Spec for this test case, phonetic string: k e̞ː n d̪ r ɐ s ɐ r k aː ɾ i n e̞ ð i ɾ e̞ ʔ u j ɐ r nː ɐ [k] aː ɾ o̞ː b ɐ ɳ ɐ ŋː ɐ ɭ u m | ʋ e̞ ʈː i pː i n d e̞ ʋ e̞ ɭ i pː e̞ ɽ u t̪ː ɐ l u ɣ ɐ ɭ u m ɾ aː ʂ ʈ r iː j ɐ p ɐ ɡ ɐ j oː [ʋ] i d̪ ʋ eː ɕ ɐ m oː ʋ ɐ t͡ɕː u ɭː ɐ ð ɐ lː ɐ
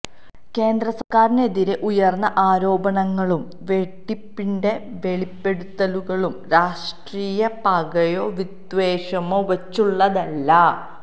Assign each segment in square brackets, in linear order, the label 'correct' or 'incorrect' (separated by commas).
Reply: incorrect, correct